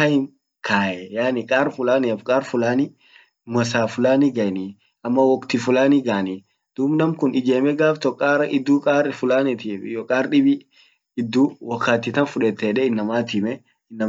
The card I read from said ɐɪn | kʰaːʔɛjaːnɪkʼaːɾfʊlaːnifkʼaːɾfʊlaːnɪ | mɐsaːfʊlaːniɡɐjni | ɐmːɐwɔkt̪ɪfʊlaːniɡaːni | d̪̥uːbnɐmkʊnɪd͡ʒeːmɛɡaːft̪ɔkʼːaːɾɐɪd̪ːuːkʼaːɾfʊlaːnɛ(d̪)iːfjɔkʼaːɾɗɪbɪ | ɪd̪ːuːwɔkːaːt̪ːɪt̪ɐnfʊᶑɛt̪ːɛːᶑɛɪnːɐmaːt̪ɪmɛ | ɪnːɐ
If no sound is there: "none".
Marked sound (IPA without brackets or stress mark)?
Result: t̪